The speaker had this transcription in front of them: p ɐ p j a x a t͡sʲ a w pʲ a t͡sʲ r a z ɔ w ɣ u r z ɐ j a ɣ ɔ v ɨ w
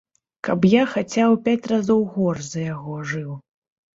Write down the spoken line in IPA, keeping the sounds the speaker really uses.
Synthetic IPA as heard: k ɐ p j a x a t͡sʲ a w pʲ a t͡sʲ r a z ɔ w ɣ ɔ r z ɐ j a ɣ ɔ ʐ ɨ w

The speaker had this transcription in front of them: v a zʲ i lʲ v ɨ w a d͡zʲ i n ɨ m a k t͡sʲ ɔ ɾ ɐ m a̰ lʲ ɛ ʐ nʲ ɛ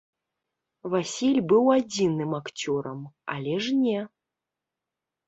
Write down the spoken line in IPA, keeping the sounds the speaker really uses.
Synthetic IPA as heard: v a sʲ i lʲ b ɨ w a d͡zʲ i n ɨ m a k t͡sʲ ɔ ɾ ɐ m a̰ lʲ ɛ ʐ nʲ ɛ

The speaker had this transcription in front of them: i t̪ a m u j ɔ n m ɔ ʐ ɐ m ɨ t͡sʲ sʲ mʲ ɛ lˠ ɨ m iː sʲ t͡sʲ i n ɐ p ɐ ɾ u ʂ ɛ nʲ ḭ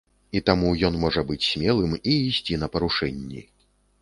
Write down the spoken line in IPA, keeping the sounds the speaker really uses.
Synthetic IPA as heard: i t̪ a m u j ɔ n m ɔ ʐ ɐ b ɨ t͡sʲ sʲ mʲ ɛ lˠ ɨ m iː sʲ t͡sʲ i n ɐ p ɐ ɾ u ʂ ɛ nʲː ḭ

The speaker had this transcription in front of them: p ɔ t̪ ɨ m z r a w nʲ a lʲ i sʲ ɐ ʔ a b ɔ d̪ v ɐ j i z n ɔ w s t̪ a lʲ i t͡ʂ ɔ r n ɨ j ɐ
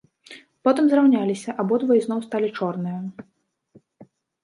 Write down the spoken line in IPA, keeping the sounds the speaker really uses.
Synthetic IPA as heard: p ɔ t̪ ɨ m z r a w nʲ a lʲ i sʲ ɐ ʔ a b ɔ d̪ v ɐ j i z n ɔ w s t̪ a lʲ i t͡ʂ ɔ r n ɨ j ɐ

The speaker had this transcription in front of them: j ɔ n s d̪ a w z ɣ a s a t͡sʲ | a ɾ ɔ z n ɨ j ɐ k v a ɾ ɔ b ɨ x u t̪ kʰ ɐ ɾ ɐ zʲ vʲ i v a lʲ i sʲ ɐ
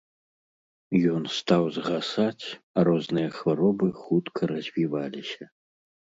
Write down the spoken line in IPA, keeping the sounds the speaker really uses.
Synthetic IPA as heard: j ɔ n s t̪ a w z ɣ a s a t͡sʲ | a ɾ ɔ z n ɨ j ɐ x v a ɾ ɔ b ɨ x u t̪ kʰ ɐ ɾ ɐ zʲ vʲ i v a lʲ i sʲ ɐ

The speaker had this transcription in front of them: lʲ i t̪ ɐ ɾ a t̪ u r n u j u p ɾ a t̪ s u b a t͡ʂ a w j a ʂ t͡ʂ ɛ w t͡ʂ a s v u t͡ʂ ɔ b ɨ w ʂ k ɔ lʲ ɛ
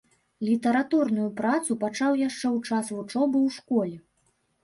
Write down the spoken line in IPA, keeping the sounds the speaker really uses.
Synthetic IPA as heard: lʲ i t̪ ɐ ɾ a t̪ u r n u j u p ɾ a t̪ s u p a t͡ʂ a w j a ʂ t͡ʂ ɛ w t͡ʂ a s v u t͡ʂ ɔ b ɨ w ʂ k ɔ lʲ ɛ

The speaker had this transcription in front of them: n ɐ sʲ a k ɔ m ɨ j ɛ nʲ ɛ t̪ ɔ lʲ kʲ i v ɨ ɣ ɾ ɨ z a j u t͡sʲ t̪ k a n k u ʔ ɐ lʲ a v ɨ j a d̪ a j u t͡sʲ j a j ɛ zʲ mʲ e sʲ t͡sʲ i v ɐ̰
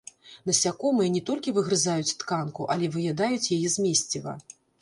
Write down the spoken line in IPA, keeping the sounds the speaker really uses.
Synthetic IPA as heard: n ɐ sʲ a k ɔ m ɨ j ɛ nʲ ɛ t̪ ɔ lʲ kʲ i v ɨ ɣ ɾ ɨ z a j u t͡sʲ t̪ k a n k u ʔ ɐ lʲ ɛ v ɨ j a d̪ a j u t͡sʲ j a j ɛ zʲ mʲ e sʲ t͡sʲ i v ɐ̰

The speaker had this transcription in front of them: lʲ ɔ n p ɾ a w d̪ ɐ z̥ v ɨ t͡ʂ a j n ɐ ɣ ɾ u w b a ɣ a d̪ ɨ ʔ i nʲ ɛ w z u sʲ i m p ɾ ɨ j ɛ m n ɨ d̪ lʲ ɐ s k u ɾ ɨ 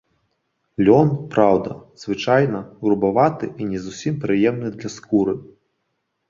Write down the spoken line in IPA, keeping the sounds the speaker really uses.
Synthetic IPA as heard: lʲ ɔ n p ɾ a w d̪ ɐ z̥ v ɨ t͡ʂ a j n ɐ ɣ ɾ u b a v a t̪ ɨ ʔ i nʲ ɛ z u sʲ i m p ɾ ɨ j ɛ m n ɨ d̪ lʲ ɐ s k u ɾ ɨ

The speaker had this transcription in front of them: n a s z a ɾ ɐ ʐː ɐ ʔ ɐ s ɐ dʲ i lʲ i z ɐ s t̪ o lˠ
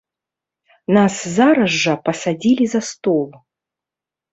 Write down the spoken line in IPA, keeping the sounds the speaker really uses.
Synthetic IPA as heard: n a s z a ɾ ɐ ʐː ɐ p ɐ s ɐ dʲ i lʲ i z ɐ s t̪ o lˠ

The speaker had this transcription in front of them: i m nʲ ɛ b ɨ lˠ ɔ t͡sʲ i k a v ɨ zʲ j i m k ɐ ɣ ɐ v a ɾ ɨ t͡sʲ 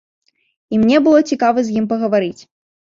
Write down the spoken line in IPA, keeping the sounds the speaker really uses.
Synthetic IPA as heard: i m nʲ ɛ b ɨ lˠ ɔ t͡sʲ i k a v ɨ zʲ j i m p ɐ ɣ ɐ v a ɾ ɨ t͡sʲ

